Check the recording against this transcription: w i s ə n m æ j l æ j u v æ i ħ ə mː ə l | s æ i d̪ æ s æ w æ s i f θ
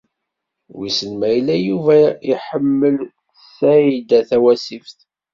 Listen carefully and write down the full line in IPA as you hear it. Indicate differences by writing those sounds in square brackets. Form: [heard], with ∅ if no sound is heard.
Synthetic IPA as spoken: w i s ə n m æ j l æ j u v æ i ħ ə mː ə l | s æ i d̪ æ [θ] æ w æ s i f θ